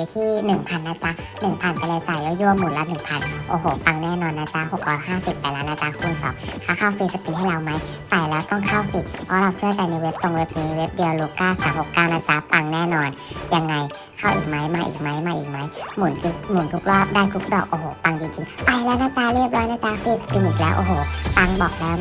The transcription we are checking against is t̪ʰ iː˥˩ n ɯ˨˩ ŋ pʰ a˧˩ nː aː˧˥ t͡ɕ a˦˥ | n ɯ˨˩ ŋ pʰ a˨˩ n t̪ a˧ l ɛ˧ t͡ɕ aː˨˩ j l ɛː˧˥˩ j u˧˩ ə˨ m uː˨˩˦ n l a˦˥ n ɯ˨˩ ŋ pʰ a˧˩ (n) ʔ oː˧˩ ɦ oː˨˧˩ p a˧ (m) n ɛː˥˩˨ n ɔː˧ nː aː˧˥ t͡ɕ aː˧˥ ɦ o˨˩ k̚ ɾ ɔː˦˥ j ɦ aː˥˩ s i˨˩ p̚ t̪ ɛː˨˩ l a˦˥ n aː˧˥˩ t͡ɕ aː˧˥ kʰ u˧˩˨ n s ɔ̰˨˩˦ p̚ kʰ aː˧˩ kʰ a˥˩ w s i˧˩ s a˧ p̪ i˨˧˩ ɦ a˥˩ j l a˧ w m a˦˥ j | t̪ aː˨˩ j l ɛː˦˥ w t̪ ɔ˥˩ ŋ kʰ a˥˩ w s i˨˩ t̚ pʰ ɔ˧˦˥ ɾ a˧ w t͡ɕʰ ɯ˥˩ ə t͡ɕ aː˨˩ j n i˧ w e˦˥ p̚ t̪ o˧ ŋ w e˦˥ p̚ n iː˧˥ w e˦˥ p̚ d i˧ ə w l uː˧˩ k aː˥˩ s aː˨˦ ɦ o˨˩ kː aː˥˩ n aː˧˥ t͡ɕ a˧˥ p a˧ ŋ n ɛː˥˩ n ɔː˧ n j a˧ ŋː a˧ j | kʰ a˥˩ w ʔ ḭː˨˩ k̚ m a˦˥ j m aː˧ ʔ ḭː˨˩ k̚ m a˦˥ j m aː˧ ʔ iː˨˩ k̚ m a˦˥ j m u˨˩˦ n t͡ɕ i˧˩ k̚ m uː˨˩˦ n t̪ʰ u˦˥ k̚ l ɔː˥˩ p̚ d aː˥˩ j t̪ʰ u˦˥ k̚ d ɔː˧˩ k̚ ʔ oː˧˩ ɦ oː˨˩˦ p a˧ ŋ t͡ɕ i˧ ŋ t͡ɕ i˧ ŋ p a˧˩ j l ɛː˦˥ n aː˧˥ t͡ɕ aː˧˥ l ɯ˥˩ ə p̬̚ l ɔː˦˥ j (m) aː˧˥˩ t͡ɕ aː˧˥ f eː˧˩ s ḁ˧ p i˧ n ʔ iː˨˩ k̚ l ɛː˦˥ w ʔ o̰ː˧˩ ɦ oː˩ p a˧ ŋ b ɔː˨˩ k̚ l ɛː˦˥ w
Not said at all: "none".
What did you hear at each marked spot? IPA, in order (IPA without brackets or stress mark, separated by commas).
n, ŋ, n